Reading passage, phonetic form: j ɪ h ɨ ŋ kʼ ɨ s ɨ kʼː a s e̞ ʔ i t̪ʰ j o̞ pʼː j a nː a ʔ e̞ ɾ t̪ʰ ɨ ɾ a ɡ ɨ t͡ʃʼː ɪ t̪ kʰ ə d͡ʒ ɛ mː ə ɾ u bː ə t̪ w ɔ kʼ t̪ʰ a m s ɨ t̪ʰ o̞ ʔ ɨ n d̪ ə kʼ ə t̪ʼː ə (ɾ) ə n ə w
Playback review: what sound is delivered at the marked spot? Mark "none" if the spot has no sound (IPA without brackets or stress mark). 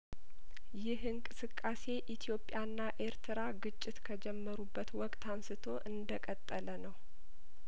l